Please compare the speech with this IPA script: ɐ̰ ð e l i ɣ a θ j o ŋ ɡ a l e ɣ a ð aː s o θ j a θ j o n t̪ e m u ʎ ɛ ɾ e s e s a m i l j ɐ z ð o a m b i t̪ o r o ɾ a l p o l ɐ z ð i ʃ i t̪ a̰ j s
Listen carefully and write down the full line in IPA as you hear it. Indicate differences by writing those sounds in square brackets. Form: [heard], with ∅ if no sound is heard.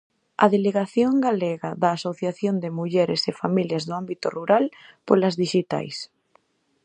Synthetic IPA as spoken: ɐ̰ ð e l [e] ɣ a θ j o ŋ ɡ a l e ɣ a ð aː s o θ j a θ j o n [d̪] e m u ʎ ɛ ɾ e s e [f] a m i l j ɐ z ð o a m b i t̪ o r [u] ɾ a l p o l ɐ z ð i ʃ i t̪ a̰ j s